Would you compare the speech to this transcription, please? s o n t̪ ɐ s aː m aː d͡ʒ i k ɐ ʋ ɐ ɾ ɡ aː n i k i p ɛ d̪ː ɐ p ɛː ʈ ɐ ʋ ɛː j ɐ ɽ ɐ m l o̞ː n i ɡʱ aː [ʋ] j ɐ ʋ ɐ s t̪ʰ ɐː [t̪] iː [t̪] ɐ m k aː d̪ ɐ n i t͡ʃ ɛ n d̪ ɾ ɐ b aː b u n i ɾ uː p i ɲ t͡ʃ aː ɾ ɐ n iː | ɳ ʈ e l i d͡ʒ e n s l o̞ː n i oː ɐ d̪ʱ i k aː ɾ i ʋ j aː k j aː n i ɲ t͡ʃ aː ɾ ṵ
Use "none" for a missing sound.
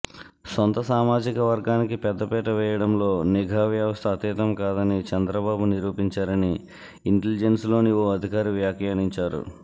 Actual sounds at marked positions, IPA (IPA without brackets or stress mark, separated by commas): ʋ, t̪, t̪